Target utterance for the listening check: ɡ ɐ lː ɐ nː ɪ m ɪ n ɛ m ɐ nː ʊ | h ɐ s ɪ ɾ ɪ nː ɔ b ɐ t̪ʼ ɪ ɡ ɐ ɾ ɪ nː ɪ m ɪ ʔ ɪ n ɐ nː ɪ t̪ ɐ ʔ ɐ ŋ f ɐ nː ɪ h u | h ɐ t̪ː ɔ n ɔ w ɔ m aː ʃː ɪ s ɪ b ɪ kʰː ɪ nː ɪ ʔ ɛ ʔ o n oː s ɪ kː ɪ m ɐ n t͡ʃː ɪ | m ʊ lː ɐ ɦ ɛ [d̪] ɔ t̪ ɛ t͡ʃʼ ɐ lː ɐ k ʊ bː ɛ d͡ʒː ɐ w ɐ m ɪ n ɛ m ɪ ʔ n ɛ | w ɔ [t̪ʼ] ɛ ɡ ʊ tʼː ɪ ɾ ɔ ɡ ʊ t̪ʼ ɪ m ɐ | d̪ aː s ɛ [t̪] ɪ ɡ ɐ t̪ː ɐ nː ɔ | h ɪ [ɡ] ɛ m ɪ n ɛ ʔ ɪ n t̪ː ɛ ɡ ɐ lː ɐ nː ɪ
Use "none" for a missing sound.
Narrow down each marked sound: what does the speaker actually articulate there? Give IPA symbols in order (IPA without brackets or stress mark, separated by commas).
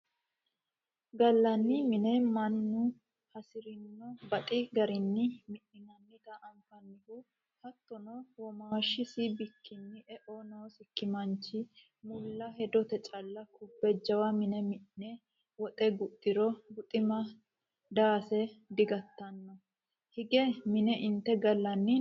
d̪, t̪ʼ, d̪, ɡ